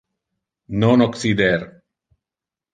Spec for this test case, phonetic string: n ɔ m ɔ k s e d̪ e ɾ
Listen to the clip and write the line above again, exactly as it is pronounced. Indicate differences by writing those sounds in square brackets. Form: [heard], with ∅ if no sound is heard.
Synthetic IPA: n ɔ [n] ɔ k s [i] d̪ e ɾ